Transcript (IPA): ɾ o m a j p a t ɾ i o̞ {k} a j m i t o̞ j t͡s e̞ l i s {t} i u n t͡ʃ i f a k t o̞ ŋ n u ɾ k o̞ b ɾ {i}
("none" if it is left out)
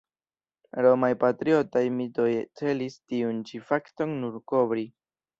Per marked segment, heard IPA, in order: t, t, i

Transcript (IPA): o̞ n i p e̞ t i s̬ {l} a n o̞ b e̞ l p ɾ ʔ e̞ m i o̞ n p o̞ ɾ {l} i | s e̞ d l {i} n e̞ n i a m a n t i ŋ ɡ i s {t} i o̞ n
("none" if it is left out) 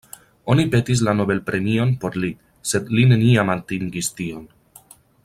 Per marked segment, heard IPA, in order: l, l, i, t

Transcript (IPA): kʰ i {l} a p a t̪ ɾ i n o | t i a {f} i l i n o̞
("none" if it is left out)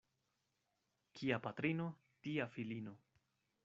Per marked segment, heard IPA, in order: none, f

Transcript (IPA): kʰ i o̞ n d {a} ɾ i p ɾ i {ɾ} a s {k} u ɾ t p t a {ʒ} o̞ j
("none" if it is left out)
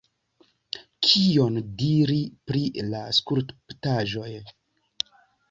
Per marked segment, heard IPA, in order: i, l, k, ʒ

